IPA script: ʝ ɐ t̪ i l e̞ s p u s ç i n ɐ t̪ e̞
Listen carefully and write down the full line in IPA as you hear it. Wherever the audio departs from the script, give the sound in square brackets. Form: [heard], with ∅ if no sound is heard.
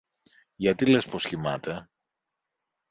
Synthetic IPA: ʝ ɐ t̪ i l e̞ s p [o] s ç i [m] ɐ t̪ e̞